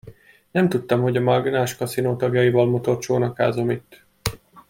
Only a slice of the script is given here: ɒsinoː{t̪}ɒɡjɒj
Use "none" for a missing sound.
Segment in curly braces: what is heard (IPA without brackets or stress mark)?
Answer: t̪